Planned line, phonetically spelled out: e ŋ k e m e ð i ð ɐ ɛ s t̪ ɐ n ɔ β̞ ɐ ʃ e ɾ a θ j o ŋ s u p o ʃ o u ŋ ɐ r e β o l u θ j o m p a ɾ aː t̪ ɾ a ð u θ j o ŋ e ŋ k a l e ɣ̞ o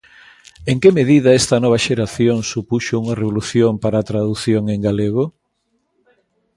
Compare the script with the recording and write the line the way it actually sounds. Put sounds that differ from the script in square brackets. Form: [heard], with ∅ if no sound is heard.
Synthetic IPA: e ŋ k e m e ð i ð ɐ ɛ s t̪ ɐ n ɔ β̞ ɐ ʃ e ɾ a θ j o ŋ s u p [u] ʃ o u ŋ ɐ r e β o l u θ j o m p a ɾ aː t̪ ɾ a ð u θ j o ŋ e ŋ [ɡ] a l e ɣ̞ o